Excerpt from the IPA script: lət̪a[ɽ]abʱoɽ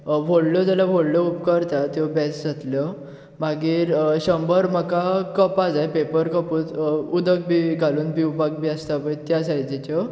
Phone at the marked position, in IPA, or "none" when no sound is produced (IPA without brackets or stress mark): l